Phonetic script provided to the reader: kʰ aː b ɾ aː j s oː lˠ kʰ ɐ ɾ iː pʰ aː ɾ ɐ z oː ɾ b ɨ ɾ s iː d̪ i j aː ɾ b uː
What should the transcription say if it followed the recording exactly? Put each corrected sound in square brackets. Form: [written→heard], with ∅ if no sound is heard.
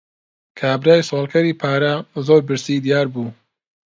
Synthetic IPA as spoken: kʰ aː b ɾ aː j s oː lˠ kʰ ɐ ɾ iː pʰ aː ɾ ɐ z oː ɾ b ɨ ɾ s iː d̪ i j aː ɾ b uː

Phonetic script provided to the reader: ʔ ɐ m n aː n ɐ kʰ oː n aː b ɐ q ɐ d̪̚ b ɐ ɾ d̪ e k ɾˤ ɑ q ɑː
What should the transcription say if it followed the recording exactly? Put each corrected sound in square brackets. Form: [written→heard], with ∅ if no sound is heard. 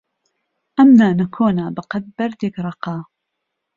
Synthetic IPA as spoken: ʔ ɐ m n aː n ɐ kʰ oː n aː b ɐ q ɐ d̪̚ b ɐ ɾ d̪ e k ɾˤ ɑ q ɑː

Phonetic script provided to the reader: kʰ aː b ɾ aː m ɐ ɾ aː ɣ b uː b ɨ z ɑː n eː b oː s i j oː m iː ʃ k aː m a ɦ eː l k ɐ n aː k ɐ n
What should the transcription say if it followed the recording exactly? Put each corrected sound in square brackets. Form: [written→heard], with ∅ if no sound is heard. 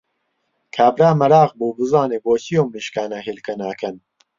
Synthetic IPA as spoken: kʰ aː b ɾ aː m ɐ ɾ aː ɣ b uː b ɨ z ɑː n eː b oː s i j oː m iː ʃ k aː [m→n] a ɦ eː l k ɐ n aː k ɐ n

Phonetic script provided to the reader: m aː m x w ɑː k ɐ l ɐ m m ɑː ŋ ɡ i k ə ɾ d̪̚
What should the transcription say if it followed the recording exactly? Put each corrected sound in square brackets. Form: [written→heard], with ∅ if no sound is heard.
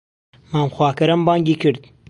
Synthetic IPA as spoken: m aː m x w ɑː k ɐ [l→ɾ] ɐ m [m→b] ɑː ŋ ɡ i k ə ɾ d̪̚

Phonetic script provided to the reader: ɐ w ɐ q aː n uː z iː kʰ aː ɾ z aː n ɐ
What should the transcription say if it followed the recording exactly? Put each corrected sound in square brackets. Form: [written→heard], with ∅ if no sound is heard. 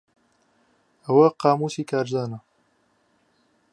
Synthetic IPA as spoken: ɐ w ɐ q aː [n→m] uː [z→s] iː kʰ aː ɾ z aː n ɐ

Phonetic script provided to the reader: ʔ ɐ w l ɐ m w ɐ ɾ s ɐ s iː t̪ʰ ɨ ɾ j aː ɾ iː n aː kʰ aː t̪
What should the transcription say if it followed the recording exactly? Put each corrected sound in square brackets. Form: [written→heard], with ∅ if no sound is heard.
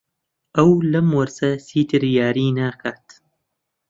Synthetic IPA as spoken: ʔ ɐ w l ɐ m w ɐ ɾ s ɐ s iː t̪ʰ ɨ ɾ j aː ɾ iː n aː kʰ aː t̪

